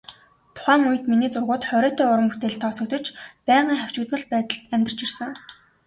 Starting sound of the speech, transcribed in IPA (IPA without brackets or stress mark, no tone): t̪ʰ